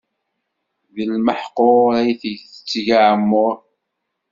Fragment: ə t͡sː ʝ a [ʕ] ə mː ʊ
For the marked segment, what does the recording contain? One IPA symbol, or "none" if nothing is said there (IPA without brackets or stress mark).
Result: ʕ